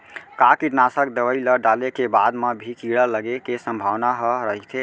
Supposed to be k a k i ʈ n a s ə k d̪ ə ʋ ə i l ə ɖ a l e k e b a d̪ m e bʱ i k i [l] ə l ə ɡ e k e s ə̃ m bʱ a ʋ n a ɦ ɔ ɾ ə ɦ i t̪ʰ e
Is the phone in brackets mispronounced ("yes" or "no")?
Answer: yes